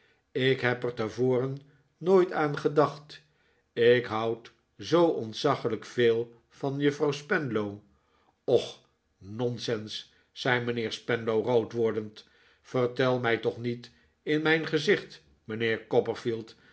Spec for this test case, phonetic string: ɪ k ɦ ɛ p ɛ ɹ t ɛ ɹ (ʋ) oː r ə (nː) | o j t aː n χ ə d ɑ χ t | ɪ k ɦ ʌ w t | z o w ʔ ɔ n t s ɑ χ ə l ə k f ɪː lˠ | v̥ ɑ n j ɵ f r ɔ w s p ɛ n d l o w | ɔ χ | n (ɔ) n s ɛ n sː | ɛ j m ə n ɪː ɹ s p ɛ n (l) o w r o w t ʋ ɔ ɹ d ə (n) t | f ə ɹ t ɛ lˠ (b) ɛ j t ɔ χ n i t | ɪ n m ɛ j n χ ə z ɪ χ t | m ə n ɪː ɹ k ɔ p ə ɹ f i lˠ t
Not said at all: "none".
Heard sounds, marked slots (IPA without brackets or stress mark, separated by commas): v, nː, ɔ, l, n, m